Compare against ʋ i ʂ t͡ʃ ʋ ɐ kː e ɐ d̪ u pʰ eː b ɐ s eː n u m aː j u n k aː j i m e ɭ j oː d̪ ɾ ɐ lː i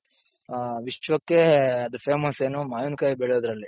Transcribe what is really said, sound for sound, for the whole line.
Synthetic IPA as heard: ʋ i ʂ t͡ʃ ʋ ɐ kː e ɐ d̪ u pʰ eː m ɐ s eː n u m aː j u n k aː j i b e ɭ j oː d̪ ɾ ɐ lː i

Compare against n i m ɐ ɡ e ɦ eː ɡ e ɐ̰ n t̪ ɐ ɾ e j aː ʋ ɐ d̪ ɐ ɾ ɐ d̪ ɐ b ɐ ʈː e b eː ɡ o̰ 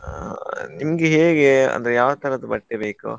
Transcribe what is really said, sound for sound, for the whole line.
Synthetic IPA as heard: n i m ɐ ɡ e ɦ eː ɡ e ɐ̰ n d̪ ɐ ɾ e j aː ʋ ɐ t̪ ɐ ɾ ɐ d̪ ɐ b ɐ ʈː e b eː k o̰

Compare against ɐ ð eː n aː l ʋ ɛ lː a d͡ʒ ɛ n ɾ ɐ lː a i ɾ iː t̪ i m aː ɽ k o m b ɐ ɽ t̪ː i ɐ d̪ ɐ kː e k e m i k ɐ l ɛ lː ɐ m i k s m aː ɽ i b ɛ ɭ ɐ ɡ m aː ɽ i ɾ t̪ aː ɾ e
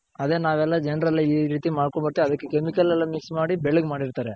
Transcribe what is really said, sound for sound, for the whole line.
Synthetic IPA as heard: ɐ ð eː n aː ʋ ɛ lː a d͡ʒ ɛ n ɾ ɐ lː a i ɾ iː t̪ i m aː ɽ k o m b ɐ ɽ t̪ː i ɐ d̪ ɐ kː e k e m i k ɐ l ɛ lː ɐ m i k s m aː ɽ i b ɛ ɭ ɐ ɡ m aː ɽ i ɾ t̪ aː ɾ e

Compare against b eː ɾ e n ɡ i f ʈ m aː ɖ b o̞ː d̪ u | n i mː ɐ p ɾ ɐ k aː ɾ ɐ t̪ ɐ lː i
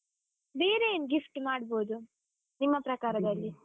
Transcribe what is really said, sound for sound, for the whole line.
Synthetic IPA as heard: b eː ɾ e n ɡ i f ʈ m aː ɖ b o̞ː d̪ u | n i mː ɐ p ɾ ɐ k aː ɾ ɐ d̪ ɐ lː i

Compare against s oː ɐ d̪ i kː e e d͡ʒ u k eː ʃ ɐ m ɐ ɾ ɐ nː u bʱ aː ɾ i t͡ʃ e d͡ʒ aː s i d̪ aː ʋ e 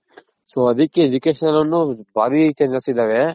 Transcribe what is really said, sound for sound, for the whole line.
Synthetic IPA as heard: s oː ɐ d̪ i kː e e d͡ʒ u k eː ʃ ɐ n ɐ l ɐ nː u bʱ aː ɾ i t͡ʃ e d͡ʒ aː s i d̪ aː ʋ e

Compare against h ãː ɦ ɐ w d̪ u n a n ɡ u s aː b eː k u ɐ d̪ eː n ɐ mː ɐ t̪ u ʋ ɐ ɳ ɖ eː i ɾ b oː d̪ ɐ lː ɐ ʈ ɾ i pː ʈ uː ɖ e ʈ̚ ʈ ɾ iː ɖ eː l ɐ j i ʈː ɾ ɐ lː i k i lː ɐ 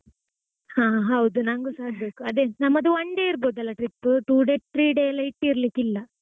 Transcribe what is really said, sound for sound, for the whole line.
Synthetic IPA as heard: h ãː ɦ ɐ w d̪ u n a ŋ ɡ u s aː b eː k u ɐ d̪ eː n ɐ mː ɐ d̪ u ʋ ɐ ɳ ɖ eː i ɾ b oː d̪ ɐ lː ɐ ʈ ɾ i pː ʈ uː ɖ e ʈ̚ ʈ ɾ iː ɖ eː l ɐ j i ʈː ɾ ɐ l i k i lː ɐ

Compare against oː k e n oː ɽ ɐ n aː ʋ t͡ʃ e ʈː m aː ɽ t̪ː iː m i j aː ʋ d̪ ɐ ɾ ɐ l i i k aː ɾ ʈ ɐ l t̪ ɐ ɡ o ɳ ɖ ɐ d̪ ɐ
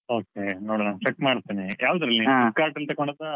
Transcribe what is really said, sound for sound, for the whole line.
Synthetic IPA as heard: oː k e n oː ɽ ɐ n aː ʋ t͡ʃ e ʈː m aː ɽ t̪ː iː n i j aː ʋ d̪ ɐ ɾ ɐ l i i k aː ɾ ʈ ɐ l t̪ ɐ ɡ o ɳ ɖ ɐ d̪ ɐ

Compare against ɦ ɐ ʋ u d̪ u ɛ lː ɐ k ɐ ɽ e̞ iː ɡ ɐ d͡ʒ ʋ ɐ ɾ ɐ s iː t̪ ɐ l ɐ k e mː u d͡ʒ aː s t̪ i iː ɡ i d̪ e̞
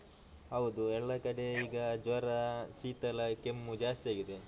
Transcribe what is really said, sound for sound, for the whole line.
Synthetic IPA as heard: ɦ ɐ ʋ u d̪ u ɛ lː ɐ k ɐ ɽ e̞ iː ɡ ɐ d͡ʒ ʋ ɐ ɾ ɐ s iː t̪ ɐ l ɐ k e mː u d͡ʒ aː s t̪ i aː ɡ i d̪ e̞

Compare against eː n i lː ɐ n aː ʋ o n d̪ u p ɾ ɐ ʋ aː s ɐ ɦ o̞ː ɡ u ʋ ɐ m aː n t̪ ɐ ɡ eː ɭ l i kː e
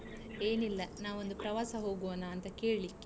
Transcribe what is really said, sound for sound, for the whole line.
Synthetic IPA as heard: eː n i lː ɐ n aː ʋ o n d̪ u p ɾ ɐ ʋ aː s ɐ ɦ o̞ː ɡ u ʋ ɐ n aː n t̪ ɐ k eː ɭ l i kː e

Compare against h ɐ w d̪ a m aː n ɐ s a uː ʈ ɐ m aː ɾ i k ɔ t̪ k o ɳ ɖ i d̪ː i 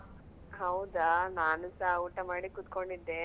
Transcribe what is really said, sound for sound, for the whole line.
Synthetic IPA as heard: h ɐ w d̪ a n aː n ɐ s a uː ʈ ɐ m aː ɽ i k u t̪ k o ɳ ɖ i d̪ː e

